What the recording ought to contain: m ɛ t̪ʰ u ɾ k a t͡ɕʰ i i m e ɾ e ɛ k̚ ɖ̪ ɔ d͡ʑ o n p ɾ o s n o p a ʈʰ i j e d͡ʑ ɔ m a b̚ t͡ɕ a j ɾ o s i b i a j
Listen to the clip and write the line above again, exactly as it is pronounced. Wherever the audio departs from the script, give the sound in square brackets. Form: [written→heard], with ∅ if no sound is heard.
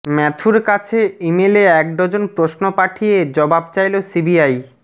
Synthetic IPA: m ɛ t̪ʰ u ɾ k a t͡ɕʰ [i→e] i m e [ɾ→l] e ɛ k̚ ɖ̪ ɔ d͡ʑ o n p ɾ o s n o p a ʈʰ i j e d͡ʑ ɔ [m→b] a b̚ t͡ɕ a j [ɾ→l] o s i b i a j